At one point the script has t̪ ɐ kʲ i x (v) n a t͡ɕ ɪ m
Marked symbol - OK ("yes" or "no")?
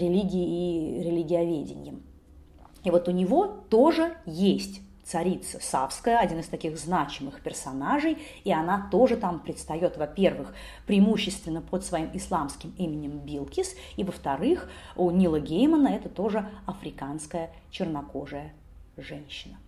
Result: no